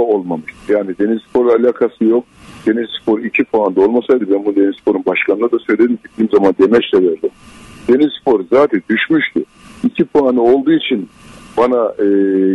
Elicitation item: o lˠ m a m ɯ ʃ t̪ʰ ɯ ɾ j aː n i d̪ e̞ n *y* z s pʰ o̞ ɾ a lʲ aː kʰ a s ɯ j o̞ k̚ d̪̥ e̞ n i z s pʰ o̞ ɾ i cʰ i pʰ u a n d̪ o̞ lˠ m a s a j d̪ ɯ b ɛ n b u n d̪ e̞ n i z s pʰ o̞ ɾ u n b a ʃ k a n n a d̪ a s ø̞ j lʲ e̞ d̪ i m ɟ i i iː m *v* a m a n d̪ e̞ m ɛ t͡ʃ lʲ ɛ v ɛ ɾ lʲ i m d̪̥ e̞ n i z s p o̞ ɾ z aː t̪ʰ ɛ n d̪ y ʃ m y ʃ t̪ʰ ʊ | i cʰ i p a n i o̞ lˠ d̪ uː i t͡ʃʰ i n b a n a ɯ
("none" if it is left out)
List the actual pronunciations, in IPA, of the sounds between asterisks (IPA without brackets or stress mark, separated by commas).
i, z